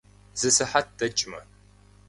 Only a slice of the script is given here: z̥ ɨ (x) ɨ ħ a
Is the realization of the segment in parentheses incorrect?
yes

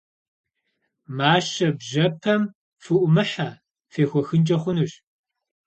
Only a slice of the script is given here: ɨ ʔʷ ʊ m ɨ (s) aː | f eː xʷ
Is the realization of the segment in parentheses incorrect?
yes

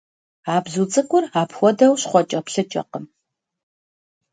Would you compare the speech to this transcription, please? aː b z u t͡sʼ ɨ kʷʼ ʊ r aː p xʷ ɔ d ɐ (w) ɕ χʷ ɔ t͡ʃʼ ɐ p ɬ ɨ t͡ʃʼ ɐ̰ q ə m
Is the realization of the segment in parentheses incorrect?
no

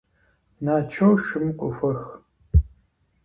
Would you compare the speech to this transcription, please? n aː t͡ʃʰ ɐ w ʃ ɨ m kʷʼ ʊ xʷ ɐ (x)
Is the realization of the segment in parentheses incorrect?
no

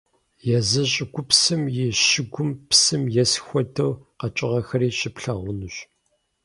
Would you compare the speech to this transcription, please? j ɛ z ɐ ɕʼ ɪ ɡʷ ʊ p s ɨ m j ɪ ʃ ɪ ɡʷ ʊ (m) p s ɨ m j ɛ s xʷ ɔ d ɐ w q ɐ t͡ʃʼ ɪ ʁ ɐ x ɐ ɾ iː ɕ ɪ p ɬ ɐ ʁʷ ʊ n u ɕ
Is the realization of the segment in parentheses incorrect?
no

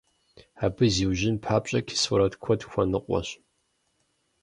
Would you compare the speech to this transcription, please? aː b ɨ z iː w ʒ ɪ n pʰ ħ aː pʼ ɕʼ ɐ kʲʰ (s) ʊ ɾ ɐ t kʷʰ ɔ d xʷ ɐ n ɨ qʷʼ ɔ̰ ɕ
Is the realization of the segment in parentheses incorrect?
no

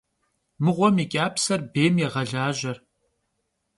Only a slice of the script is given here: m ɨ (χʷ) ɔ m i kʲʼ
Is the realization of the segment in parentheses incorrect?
yes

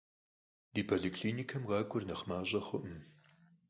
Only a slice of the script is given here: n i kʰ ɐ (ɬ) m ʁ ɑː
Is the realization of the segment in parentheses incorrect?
yes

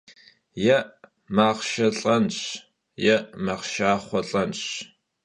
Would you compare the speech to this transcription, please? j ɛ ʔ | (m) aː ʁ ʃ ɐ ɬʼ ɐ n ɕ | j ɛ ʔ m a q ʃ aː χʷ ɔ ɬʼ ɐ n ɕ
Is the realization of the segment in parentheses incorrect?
no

